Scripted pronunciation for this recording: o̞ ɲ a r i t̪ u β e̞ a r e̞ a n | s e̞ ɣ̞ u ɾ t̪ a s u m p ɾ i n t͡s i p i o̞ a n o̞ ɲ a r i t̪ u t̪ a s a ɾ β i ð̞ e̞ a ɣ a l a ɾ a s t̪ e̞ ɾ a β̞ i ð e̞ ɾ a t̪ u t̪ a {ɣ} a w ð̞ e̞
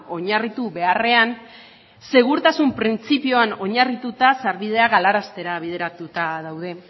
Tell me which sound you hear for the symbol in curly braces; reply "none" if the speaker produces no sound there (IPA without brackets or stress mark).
ð